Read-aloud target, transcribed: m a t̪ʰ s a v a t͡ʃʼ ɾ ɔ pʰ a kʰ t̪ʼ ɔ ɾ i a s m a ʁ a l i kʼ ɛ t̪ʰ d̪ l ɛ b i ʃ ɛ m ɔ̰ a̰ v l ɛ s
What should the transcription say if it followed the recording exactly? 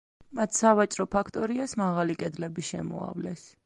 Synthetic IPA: m a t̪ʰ s a v a t͡ʃʼ ɾ ɔ pʰ a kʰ t̪ʼ ɔ ɾ i a s m a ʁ a l i kʼ ɛ d̪ l ɛ b i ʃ ɛ m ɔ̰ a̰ v l ɛ s